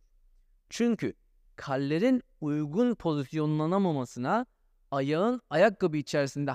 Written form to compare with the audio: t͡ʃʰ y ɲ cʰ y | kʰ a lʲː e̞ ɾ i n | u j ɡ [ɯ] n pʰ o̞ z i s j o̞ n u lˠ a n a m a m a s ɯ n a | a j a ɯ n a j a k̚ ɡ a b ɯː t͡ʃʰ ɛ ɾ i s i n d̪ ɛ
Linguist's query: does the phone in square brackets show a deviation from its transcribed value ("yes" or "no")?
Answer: yes